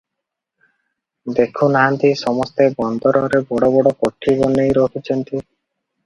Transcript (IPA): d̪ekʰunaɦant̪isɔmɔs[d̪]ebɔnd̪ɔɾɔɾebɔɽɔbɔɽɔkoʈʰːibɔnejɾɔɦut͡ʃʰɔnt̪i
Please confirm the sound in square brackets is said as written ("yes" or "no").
no